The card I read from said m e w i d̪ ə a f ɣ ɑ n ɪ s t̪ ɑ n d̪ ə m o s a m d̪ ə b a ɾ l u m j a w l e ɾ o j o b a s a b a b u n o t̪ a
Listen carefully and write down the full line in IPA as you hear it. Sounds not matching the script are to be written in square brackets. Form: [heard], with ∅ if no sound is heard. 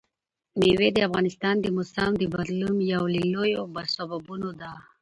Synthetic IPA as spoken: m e w [e] d̪ ə a f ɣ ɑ n ɪ s t̪ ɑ n d̪ ə m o s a m d̪ ə b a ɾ l u m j a w l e [l] o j o b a s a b a b u n o [d̪] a